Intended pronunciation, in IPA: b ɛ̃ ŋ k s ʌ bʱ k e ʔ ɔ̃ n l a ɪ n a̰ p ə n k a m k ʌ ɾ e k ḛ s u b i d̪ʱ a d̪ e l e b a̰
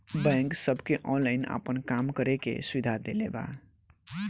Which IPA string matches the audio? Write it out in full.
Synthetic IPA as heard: b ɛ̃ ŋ k s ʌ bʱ k e ʔ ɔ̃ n l a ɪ n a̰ p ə n k a m k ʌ ɾ e k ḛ s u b i d̪ʱ a d̪ e l e b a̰